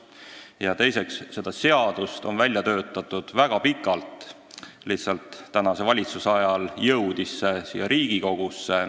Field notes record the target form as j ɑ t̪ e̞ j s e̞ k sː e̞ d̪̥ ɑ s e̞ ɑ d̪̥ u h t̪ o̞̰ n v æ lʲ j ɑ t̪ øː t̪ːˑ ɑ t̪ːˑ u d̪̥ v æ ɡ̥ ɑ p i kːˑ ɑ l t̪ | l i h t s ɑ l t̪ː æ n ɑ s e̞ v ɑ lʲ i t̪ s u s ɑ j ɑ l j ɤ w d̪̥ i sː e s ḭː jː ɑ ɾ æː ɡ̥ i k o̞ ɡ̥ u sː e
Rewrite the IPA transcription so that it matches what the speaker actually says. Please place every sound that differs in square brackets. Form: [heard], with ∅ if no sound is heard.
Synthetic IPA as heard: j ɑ t̪ e̞ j s e̞ k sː e̞ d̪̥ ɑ s e̞ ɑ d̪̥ u [s] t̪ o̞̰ n v æ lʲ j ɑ t̪ øː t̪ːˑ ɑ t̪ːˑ u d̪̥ v æ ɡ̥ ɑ p i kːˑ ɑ l t̪ | l i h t s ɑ l t̪ː æ n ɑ s e̞ v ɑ lʲ i t̪ s u s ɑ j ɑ l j ɤ w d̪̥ i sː e s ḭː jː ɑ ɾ [iː] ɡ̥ i k o̞ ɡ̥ u sː e